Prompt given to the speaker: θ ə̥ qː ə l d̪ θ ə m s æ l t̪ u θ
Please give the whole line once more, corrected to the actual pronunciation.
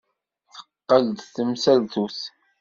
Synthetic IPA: θ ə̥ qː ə l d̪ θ ə m s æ l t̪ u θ